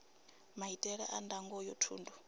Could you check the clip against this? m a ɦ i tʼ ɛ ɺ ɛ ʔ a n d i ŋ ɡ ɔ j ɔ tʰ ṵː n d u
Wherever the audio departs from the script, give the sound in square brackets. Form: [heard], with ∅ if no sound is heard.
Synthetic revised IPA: m a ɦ i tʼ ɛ ɺ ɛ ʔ a n d [a] ŋ ɡ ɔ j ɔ tʰ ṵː n d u